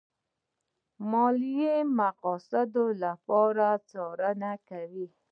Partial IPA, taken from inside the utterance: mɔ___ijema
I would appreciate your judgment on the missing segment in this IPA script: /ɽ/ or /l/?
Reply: l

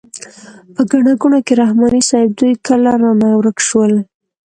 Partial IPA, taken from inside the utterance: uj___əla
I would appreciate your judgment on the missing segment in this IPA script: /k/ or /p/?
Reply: k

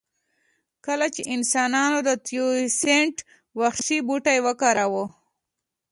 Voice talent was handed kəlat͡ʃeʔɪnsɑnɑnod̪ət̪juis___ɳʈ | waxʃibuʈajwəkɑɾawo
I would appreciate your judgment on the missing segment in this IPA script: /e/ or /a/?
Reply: e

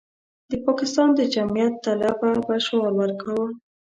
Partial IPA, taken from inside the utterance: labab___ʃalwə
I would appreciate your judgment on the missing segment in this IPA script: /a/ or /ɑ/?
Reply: a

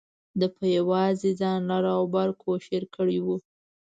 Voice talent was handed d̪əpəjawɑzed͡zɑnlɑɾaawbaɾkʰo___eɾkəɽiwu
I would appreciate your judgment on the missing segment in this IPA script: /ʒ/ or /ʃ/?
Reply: ʃ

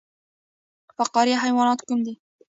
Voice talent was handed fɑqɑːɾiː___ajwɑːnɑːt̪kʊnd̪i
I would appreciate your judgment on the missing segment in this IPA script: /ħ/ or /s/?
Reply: ħ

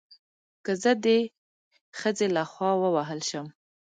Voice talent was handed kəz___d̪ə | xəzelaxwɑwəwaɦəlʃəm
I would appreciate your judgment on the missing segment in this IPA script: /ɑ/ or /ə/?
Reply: ə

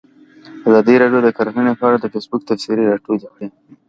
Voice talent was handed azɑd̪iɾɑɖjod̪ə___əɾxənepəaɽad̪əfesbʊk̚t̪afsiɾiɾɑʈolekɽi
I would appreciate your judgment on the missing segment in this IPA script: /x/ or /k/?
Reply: k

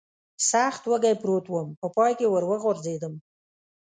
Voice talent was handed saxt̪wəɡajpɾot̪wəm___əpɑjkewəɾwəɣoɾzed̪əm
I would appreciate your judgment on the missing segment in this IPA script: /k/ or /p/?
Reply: p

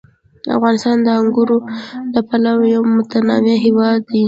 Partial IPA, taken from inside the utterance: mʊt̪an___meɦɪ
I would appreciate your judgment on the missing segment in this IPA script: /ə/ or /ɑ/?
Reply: ɑ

